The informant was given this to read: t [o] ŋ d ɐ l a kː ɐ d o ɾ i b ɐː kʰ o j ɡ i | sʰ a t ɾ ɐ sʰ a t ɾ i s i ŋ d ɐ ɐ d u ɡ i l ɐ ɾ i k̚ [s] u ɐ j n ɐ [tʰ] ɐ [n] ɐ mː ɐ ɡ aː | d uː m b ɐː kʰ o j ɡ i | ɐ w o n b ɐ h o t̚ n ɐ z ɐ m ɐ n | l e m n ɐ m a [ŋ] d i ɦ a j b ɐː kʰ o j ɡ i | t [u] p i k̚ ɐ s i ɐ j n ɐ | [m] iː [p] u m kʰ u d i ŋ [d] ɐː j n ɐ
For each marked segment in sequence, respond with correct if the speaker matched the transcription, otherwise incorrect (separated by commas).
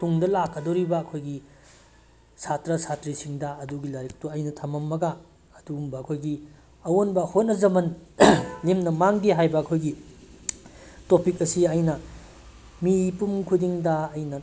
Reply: incorrect, incorrect, correct, incorrect, correct, incorrect, correct, correct, correct